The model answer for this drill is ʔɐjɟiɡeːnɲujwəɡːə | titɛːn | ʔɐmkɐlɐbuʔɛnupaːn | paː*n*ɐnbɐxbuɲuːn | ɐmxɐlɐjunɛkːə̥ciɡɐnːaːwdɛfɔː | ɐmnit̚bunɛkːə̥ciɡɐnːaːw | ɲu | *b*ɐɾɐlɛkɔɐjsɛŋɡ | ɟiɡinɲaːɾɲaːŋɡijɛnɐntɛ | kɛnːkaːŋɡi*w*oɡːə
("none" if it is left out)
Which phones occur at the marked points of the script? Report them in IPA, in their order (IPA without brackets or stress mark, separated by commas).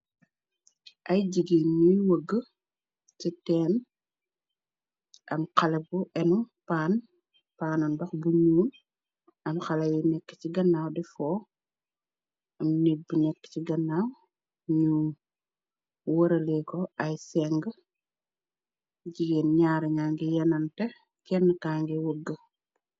n, w, w